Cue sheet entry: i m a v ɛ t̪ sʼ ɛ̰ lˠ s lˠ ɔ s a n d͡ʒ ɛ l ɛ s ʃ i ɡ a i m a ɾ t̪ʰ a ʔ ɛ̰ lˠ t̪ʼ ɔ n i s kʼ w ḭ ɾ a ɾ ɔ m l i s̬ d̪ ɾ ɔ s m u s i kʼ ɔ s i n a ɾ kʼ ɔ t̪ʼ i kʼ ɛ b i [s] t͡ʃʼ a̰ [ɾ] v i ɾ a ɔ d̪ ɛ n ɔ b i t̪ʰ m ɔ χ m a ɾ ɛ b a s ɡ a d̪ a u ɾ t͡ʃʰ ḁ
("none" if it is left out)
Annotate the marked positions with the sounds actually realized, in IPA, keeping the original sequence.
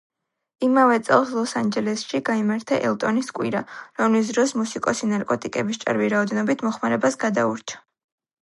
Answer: s, ɾ

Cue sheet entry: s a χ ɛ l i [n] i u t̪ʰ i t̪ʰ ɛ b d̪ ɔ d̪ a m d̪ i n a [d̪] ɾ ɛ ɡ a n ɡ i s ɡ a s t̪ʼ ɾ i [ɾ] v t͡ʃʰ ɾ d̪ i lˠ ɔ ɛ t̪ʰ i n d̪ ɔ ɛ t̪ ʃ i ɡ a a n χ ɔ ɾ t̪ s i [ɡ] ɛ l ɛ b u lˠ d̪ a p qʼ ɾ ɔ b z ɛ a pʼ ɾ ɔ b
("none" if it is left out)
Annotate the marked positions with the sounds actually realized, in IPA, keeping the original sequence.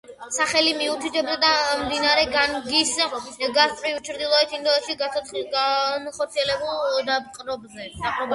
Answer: m, none, none, none

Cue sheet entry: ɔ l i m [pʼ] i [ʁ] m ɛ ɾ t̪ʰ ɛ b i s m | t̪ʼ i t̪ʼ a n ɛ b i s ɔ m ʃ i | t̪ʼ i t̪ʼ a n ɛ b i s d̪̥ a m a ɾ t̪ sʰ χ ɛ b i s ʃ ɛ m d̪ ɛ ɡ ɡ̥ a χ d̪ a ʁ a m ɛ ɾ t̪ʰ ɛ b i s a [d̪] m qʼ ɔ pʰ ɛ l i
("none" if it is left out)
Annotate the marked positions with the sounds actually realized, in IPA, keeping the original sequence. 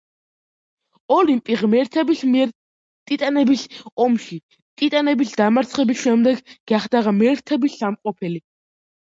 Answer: pʼ, ʁ, none

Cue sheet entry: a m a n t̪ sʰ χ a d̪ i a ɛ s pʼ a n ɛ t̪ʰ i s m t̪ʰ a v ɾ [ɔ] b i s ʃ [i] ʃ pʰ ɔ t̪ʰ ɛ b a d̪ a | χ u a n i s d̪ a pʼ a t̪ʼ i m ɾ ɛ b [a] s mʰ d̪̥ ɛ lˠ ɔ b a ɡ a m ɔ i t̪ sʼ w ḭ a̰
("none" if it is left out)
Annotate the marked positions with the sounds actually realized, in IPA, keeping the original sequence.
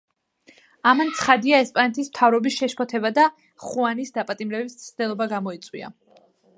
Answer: ɔ, ɛ, i

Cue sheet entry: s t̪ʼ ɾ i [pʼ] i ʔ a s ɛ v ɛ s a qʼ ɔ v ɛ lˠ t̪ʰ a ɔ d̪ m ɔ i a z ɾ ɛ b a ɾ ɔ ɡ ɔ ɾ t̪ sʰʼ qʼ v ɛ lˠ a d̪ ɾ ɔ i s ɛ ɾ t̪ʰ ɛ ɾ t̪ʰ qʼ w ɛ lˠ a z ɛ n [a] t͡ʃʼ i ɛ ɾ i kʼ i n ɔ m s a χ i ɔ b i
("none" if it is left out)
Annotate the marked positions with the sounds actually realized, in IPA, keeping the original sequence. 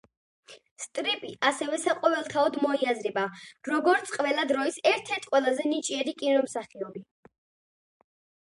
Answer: pʼ, i

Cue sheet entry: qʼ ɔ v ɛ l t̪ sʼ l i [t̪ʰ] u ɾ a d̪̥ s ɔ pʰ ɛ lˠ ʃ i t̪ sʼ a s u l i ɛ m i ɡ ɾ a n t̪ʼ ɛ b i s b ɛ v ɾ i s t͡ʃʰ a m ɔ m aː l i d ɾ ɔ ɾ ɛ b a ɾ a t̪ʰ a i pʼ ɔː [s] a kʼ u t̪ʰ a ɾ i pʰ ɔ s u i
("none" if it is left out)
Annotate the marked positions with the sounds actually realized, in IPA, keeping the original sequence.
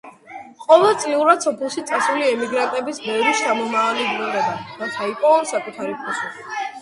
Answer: none, s

